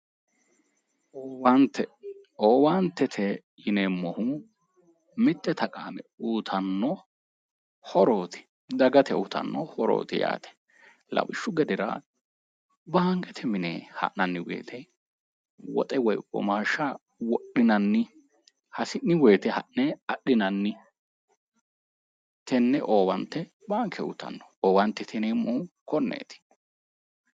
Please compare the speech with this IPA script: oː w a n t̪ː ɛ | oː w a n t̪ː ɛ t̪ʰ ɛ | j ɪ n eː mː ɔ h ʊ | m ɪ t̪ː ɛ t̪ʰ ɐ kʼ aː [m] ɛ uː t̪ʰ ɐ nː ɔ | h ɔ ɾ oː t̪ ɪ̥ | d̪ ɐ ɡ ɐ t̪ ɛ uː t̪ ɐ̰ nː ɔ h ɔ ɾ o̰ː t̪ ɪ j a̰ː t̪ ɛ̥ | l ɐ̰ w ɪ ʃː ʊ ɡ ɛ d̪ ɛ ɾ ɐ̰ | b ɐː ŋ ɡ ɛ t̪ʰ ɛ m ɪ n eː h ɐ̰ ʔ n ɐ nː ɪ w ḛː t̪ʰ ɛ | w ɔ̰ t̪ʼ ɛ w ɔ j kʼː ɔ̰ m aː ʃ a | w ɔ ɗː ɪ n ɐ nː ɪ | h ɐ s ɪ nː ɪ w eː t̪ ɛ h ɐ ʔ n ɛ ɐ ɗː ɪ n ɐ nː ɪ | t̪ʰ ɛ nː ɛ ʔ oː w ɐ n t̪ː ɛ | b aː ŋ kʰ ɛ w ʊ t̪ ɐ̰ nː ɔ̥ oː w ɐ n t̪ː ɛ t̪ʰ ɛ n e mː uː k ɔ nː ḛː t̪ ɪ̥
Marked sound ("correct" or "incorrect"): correct